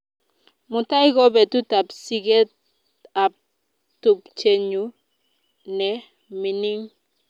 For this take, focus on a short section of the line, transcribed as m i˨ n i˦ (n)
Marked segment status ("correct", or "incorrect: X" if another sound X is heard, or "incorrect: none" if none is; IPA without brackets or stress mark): incorrect: ŋ